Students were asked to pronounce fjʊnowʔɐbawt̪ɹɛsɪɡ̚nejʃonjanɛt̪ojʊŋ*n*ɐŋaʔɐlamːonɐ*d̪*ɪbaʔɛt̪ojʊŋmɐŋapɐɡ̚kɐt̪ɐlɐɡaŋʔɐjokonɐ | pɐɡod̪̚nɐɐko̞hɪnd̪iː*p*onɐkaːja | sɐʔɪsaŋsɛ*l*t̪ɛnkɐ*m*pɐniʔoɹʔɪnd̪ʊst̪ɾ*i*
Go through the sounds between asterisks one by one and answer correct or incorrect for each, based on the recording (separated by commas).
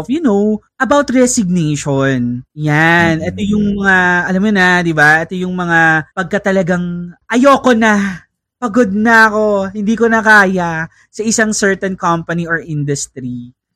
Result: incorrect, correct, incorrect, incorrect, correct, correct